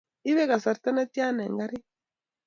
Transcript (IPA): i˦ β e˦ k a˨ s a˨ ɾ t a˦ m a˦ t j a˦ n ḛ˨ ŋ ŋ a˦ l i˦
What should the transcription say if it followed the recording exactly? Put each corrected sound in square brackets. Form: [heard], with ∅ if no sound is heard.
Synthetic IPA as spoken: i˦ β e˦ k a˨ s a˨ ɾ t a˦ [n] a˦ t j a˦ n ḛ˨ ŋ [ɡ] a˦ [ɾ] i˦